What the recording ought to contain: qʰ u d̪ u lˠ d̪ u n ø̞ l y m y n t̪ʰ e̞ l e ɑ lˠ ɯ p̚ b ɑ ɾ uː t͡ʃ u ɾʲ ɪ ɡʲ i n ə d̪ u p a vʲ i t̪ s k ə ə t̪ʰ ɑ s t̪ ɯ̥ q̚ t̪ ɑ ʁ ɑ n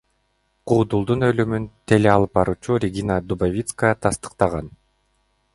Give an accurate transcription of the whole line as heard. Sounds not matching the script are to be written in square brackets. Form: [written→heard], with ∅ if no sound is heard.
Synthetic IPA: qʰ [u→uː] d̪ u lˠ d̪ u n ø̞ l y m y n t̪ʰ e̞ l e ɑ lˠ ɯ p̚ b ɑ ɾ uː t͡ʃ u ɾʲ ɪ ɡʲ i n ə d̪ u [p→b] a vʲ i t̪ s k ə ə t̪ʰ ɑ s t̪ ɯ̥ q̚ t̪ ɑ ʁ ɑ n